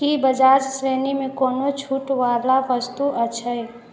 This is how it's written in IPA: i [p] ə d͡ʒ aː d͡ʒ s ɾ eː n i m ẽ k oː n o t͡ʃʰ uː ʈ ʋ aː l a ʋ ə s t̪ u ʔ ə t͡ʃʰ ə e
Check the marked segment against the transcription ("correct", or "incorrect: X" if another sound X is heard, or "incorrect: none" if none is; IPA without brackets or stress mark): incorrect: b